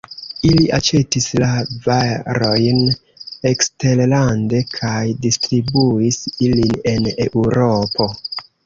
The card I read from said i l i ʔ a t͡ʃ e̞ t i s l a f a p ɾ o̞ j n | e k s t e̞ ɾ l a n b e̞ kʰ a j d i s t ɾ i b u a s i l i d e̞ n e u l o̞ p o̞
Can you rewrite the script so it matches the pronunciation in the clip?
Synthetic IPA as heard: i l i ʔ a t͡ʃ e̞ t i s l a v a ɾ o̞ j n | e k s t e̞ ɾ l a n d e̞ kʰ a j d i s t ɾ i b u i s i l i n e̞ n e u ɾ o̞ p o̞